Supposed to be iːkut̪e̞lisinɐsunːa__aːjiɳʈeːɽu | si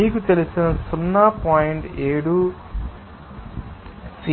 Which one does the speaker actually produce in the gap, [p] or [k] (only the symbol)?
p